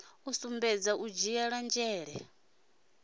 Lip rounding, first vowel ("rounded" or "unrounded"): rounded